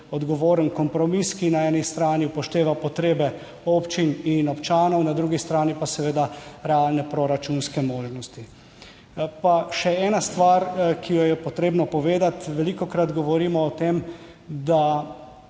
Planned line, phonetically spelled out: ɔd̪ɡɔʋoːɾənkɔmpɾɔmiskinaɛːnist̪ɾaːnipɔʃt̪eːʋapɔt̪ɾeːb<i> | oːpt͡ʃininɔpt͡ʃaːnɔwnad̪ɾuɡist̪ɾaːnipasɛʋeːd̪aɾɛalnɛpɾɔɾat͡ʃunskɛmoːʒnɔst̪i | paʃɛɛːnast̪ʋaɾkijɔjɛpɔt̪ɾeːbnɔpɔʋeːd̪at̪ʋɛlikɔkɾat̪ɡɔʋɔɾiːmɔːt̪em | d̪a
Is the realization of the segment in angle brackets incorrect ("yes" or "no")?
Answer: yes